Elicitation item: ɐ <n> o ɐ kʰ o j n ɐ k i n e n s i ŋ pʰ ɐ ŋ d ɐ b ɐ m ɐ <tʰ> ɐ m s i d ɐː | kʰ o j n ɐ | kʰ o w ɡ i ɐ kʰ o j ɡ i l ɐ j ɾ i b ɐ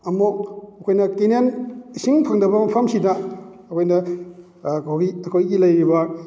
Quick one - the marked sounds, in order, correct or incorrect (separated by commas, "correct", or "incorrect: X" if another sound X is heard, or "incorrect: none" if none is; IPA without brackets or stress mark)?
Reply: incorrect: m, incorrect: pʰ